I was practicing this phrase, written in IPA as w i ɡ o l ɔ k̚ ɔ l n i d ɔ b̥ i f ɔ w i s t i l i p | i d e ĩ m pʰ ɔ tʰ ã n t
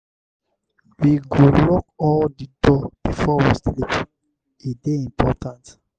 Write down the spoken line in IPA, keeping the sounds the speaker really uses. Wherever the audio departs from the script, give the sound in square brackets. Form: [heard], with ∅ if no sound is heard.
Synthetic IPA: w i ɡ o l ɔ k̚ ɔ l [d] i d ɔ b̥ i f ɔ w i s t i l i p | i d e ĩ m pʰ ɔ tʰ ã n t